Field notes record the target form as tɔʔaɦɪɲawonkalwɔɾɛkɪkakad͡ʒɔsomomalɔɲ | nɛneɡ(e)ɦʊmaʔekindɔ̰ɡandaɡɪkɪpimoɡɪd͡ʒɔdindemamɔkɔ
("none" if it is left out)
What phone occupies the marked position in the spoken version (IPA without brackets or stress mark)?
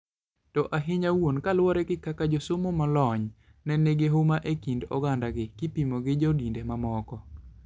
e